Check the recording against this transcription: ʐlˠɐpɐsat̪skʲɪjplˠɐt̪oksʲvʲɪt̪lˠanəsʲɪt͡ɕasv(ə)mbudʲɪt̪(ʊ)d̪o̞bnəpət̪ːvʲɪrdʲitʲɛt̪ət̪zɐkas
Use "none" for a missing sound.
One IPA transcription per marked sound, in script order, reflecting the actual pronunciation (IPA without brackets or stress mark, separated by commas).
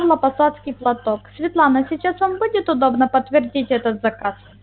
a, ʊ